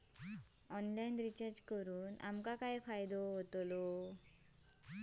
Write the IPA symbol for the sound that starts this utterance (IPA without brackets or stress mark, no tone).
ɔ